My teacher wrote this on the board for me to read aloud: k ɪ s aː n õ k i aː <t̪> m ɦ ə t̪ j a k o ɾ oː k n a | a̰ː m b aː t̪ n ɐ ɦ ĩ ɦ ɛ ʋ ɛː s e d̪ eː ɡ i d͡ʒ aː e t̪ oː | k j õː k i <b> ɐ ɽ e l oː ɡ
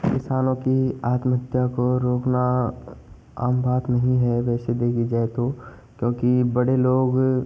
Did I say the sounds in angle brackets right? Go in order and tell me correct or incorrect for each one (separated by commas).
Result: correct, correct